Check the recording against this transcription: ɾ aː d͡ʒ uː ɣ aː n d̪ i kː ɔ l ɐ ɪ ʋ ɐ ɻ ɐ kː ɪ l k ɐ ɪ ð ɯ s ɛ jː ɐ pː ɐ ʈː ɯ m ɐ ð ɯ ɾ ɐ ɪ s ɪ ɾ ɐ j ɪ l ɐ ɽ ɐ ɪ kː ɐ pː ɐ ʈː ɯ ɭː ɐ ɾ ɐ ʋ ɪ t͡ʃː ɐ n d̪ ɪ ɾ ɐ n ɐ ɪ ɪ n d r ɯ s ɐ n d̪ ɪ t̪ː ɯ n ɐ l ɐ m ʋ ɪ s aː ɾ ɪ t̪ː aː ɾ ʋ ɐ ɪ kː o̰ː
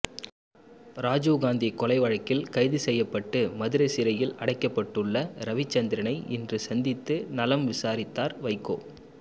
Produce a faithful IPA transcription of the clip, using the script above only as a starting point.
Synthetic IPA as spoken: ɾ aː d͡ʒ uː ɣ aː n d̪ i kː ɔ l ɐ ɪ ʋ ɐ ɻ ɐ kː ɪ l k ɐ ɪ ð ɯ s ɛ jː ɐ pː ɐ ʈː ɯ m ɐ ð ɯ ɾ ɐ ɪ s ɪ ɾ ɐ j ɪ l ɐ ɽ ɐ ɪ kː ɐ pː ɐ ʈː ɯ ɭː ɐ ɾ ɐ ʋ ɪ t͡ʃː ɐ n d̪ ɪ ɾ ɐ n ɐ ɪ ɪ n d r ɯ s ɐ n d̪ ɪ t̪ː ɯ n ɐ l ɐ m ʋ ɪ s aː ɾ ɪ t̪ː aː ɾ ʋ ɐ ɪ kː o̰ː